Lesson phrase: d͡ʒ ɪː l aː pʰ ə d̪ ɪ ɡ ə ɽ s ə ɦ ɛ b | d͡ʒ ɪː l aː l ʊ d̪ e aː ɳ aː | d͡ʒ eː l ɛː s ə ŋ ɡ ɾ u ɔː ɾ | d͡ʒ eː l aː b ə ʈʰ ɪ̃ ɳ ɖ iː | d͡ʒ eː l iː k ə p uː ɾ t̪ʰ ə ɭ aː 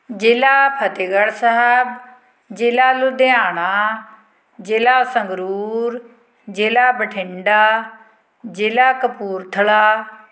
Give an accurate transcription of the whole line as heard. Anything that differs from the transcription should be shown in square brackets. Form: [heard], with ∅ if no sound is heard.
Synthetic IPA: d͡ʒ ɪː l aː pʰ ə [t̪] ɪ ɡ ə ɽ s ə ɦ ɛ b | d͡ʒ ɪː l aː l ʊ d̪ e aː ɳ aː | d͡ʒ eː l [aː] s ə ŋ ɡ ɾ u [uː] ɾ | d͡ʒ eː l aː b ə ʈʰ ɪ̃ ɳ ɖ [aː] | d͡ʒ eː l [aː] k ə p uː ɾ t̪ʰ ə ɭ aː